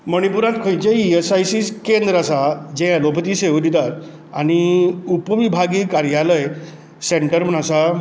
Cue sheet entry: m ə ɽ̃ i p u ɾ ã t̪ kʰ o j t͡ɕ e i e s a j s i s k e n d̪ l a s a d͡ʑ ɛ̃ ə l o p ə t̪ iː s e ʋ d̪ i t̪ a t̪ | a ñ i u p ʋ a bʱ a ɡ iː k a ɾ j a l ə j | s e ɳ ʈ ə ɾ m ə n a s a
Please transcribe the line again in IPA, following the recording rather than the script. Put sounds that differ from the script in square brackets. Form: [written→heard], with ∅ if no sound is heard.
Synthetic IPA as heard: m ə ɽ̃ i p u ɾ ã t̪ kʰ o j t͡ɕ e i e s a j s i s k e n d̪ [l→ɾ] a s a d͡ʑ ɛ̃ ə l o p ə t̪ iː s e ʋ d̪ i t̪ a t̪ | a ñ i u p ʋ [a→i] bʱ a ɡ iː k a ɾ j a l ə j | s e ɳ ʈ ə ɾ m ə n a s a